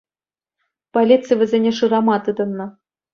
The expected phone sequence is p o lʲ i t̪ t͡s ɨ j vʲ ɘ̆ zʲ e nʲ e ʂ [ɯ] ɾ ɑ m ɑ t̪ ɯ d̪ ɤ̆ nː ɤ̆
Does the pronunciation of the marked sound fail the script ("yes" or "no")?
no